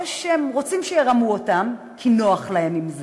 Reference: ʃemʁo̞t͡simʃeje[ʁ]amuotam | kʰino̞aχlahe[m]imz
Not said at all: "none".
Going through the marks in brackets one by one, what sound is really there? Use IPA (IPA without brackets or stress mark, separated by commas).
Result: ʁ, m